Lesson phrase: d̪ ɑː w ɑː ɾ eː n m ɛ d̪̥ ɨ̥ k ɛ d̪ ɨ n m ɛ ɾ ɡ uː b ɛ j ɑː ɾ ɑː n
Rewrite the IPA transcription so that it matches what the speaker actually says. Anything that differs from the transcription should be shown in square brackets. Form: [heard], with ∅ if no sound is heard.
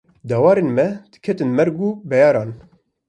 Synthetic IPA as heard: d̪ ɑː w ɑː ɾ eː n m ɛ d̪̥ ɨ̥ [kʰ] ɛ [t̪] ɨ n m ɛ ɾ ɡ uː b ɛ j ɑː ɾ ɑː n